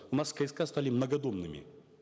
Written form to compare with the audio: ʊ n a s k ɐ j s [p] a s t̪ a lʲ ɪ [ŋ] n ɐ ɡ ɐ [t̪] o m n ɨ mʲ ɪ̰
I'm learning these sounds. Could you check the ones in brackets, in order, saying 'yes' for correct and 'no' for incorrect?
no, no, no

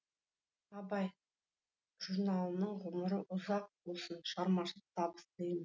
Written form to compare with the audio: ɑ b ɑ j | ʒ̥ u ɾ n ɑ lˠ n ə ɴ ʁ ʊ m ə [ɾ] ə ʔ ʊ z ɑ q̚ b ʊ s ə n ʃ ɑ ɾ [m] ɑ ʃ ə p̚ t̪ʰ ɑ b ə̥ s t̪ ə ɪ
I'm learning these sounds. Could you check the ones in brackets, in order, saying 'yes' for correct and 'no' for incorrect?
yes, yes

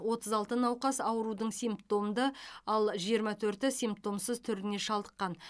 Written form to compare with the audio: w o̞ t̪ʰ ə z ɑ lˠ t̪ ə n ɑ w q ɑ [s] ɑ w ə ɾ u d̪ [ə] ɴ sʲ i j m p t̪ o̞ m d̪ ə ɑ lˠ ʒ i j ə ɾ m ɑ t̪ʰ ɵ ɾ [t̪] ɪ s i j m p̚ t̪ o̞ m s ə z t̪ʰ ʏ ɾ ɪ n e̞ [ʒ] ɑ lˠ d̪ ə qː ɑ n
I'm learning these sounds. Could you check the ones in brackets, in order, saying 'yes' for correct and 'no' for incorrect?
yes, yes, yes, no

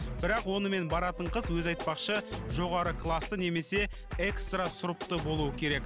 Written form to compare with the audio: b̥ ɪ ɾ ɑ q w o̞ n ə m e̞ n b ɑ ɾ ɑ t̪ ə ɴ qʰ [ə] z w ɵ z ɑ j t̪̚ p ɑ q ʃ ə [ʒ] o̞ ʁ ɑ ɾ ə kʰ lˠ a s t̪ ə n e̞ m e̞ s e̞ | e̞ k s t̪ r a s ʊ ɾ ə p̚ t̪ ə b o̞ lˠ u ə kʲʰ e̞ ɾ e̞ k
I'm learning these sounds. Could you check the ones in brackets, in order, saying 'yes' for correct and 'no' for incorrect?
yes, yes

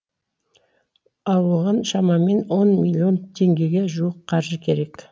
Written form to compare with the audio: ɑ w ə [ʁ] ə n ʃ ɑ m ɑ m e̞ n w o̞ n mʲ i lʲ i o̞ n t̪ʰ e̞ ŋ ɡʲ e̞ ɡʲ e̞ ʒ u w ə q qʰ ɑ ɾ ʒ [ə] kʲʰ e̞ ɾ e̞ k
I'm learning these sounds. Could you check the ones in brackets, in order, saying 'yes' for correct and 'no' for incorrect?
yes, yes

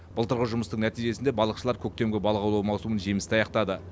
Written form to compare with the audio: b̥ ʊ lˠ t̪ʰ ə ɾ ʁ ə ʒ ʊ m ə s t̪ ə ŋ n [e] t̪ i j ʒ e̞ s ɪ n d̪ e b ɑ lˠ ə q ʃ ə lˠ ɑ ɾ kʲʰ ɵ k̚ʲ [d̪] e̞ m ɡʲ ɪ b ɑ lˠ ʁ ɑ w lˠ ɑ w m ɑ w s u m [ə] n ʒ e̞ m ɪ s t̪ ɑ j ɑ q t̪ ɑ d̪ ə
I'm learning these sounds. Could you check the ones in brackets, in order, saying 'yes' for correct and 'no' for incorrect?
no, no, yes

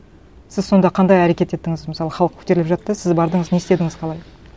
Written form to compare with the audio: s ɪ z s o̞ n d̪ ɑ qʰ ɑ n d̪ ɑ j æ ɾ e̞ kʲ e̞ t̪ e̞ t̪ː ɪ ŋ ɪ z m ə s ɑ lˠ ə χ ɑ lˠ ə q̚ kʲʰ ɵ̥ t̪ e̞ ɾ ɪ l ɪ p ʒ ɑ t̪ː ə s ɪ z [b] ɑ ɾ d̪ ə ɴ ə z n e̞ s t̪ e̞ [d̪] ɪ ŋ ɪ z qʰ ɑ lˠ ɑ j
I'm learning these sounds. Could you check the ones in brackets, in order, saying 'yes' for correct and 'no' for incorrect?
yes, yes

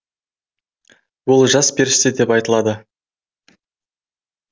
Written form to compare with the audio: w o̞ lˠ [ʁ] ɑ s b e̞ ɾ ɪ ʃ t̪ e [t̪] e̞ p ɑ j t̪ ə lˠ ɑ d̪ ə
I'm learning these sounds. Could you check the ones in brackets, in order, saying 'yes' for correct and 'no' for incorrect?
no, no

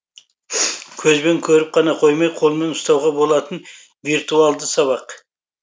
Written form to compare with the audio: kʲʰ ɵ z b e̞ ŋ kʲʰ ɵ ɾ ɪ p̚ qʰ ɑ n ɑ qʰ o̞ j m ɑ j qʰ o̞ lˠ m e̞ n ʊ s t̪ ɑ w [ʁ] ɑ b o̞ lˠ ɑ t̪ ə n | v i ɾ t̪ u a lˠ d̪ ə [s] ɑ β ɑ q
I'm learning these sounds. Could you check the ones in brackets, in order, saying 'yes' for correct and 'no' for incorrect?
yes, yes

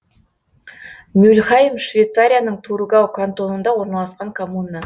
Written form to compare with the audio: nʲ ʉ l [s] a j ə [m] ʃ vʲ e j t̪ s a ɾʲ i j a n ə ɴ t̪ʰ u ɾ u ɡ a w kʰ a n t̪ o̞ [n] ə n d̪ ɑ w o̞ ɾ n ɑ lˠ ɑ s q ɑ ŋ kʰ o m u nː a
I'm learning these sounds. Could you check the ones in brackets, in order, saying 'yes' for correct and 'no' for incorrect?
no, yes, yes

